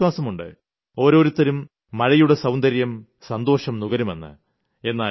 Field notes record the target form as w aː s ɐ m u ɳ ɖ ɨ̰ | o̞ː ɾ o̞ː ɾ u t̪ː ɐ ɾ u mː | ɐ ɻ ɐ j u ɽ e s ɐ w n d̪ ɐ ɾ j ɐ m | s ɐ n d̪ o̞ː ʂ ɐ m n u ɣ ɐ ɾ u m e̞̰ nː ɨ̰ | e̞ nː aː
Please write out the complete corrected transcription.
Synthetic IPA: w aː s ɐ m u ɳ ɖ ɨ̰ | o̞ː ɾ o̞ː ɾ u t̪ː ɐ ɾ u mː | ɐ ɻ ɐ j u ɽ e s ɐ w n d̪ ɐ ɾ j ɐ m | s ɐ n d̪ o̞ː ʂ ɐ m n u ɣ ɐ ɾ u m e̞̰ nː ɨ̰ | e̞ nː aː